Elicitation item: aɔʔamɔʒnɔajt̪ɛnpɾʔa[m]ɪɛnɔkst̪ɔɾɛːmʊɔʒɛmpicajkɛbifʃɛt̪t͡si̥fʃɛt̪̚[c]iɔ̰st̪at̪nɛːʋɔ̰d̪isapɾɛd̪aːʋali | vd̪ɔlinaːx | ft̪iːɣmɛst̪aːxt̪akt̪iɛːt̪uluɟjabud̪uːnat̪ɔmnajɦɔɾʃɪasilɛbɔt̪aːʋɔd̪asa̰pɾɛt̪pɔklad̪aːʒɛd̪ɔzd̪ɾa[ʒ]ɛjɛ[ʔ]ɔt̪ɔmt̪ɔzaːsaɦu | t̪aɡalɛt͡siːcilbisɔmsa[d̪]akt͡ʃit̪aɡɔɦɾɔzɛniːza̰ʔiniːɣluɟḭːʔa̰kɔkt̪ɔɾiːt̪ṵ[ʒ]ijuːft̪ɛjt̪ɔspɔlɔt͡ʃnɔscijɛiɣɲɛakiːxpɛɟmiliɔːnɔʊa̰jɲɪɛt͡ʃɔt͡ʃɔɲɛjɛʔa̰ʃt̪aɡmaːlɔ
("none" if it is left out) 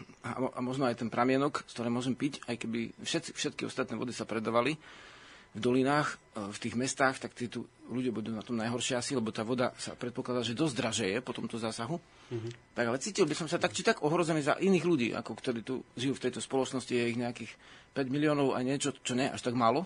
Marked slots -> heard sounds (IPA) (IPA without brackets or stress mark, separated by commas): m, k, ʒ, p, t̪, ʒ